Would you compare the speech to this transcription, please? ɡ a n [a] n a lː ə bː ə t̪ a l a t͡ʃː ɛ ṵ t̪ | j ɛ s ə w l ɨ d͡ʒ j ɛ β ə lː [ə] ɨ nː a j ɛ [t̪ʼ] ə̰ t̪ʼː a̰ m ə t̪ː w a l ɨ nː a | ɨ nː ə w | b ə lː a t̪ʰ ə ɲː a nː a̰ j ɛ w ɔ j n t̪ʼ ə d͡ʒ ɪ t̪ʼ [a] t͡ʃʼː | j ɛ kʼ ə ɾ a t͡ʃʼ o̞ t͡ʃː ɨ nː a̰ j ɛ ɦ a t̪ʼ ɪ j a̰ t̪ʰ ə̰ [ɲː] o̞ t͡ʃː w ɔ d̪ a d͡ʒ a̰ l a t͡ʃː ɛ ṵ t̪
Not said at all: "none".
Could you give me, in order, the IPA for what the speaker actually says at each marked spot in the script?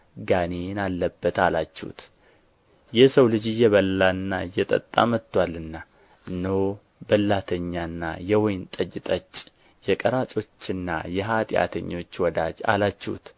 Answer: e, a, t̪ʼ, ə, ɲː

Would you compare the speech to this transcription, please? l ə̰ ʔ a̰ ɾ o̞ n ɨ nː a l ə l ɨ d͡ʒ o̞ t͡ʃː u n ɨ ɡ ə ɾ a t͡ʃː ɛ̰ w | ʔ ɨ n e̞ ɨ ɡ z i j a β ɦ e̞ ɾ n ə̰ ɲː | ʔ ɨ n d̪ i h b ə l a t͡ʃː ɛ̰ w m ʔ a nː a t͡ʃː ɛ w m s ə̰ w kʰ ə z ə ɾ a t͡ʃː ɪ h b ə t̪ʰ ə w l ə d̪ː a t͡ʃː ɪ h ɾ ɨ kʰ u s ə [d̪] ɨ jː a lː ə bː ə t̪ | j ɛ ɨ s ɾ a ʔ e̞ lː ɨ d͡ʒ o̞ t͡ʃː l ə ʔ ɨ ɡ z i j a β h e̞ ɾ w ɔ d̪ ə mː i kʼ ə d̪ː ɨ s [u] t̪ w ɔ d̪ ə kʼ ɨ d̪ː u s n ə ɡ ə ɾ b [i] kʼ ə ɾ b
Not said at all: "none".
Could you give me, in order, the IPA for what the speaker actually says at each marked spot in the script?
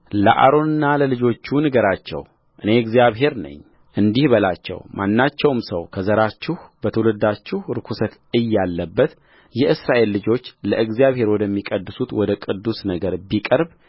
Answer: t̪, u, i

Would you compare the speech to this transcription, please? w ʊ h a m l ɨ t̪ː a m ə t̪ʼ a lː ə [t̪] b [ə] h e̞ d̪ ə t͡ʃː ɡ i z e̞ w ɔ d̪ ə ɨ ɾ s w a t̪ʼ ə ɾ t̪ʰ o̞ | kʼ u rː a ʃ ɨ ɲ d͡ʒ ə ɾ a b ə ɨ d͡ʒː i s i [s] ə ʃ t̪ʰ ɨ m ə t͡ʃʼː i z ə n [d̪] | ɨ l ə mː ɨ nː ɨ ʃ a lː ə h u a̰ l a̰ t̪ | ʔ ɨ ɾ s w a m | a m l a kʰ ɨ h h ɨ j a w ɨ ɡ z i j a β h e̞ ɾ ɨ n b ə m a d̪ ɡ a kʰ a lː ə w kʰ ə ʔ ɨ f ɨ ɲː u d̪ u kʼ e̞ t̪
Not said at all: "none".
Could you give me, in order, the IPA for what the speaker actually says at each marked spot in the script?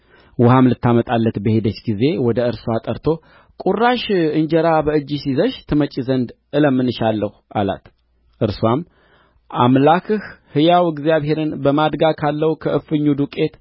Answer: t̪, ə, z, d̪

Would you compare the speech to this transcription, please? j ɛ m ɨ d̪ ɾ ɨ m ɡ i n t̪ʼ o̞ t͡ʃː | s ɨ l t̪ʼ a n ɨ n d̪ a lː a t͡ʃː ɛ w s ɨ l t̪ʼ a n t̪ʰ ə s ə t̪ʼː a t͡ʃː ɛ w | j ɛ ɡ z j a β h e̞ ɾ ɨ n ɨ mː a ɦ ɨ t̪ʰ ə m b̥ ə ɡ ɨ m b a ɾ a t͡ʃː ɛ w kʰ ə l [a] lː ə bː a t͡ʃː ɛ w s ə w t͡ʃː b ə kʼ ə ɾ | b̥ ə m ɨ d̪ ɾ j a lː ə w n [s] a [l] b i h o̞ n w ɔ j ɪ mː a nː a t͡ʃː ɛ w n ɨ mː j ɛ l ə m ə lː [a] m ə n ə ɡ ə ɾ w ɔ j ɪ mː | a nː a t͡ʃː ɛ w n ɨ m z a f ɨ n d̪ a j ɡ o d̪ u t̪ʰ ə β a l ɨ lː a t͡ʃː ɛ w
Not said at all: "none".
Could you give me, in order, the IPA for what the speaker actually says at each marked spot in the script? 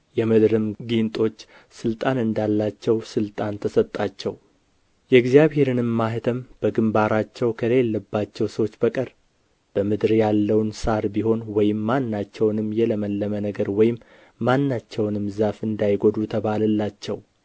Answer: e, s, ɾ, ə

